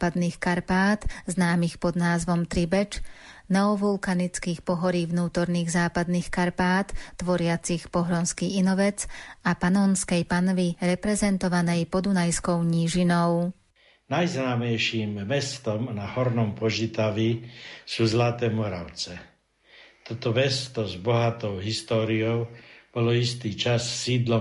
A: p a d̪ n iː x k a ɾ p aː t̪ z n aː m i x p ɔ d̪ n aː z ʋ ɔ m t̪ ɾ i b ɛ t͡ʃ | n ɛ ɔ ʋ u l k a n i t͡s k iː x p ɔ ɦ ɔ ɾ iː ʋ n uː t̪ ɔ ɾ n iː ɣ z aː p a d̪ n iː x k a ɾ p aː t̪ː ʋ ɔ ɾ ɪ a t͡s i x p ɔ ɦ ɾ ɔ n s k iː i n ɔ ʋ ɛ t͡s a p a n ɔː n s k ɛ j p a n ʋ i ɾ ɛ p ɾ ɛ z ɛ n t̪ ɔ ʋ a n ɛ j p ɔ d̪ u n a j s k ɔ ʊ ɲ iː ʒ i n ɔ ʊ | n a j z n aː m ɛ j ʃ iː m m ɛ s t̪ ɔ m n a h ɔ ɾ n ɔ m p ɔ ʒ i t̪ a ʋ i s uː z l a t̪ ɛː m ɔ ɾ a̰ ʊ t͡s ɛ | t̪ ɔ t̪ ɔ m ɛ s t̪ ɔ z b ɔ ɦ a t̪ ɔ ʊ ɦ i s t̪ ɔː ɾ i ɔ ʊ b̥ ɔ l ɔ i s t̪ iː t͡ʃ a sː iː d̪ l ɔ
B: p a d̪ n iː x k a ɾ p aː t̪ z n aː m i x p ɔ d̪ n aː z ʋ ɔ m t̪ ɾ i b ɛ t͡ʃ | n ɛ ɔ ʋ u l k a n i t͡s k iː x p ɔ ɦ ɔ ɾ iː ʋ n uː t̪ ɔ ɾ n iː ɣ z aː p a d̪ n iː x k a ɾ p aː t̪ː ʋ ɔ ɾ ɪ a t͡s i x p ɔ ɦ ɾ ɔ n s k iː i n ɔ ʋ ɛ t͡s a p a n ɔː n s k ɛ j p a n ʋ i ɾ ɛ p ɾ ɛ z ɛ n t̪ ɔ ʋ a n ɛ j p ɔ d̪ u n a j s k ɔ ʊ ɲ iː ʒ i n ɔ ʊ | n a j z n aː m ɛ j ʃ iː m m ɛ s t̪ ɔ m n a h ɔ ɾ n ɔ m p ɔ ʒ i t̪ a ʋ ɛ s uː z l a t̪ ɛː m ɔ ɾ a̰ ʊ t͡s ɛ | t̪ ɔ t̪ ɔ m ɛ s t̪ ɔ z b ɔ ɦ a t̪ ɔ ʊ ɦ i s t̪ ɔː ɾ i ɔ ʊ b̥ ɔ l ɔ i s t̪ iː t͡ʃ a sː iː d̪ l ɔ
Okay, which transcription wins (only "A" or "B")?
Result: A